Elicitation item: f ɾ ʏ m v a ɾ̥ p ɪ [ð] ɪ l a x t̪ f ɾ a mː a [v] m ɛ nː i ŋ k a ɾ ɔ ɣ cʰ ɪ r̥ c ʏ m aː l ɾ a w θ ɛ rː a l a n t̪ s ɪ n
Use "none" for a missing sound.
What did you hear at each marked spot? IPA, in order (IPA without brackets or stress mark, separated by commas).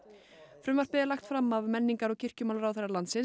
ð, v